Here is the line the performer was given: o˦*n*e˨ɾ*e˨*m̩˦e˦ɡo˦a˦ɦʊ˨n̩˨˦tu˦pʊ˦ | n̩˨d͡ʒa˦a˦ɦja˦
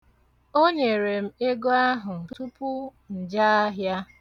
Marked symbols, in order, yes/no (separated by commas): no, yes